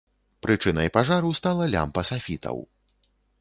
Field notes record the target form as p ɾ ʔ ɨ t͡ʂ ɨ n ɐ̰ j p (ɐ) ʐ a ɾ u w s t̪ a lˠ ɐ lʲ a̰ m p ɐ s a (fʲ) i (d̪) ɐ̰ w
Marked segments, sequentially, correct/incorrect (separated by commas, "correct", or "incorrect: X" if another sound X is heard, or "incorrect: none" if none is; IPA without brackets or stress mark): incorrect: a, correct, incorrect: t̪